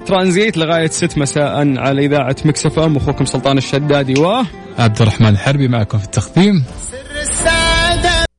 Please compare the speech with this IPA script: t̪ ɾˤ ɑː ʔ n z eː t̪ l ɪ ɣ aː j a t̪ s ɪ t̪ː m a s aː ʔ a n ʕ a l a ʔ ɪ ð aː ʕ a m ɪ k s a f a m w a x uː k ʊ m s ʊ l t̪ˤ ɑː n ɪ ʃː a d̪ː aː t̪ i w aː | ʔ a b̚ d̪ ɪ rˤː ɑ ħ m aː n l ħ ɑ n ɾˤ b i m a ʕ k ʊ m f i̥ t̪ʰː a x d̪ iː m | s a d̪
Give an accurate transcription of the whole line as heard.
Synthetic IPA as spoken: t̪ ɾˤ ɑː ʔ n z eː t̪ l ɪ ɣ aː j a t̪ s ɪ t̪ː m a s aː ʔ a n ʕ a l a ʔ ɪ ð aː ʕ a m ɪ k s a f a m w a x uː k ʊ m s ʊ l t̪ˤ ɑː n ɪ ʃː a d̪ː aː d̪ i w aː | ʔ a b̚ d̪ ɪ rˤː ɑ ħ m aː n l ħ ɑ ɾˤ b i m a ʕ k ʊ m f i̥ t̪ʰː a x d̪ iː m | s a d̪